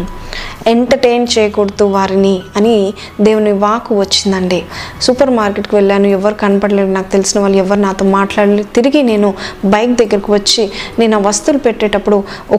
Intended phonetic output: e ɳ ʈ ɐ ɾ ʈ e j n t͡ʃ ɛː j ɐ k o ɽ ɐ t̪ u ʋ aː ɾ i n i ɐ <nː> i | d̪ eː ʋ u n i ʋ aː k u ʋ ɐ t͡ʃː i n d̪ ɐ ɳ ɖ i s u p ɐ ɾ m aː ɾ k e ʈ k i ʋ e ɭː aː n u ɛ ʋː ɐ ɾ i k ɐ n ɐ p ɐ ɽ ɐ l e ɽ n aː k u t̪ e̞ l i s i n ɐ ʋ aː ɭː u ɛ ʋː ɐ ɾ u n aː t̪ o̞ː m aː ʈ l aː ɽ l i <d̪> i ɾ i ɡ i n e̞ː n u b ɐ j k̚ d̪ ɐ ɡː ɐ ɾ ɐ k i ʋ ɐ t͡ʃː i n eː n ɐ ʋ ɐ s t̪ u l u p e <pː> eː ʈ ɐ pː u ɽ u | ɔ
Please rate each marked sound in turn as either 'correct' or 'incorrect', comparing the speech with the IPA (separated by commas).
incorrect, incorrect, incorrect